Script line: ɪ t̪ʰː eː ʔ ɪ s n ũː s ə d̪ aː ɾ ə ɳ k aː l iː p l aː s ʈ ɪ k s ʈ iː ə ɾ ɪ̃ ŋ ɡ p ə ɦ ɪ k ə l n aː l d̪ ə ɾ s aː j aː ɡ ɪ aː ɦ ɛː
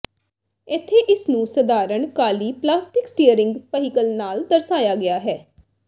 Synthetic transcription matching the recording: ɪ t̪ʰː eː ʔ ɪ s n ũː s ə d̪ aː ɾ ə ɳ k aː l iː p l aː s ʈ ɪ k s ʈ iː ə ɾ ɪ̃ ŋ ɡ p ə ɦ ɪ k ə l n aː l d̪ ə ɾ s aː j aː ɡ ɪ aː ɦ ɛː